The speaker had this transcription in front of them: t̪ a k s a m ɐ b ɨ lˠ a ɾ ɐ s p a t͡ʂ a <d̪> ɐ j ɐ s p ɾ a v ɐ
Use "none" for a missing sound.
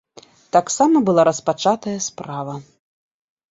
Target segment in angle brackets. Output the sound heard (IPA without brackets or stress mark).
t̪